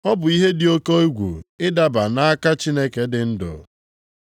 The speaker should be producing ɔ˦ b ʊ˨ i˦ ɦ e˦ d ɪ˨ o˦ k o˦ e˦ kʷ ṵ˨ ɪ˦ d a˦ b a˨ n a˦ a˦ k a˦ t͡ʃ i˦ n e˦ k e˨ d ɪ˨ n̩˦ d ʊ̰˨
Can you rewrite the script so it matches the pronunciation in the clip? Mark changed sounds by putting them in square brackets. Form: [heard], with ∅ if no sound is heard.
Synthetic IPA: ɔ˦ b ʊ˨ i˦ ɦ e˦ d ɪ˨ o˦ k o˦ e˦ [ɡʷ] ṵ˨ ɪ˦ d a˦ b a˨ n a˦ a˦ k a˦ t͡ʃ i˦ n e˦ k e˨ d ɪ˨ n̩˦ d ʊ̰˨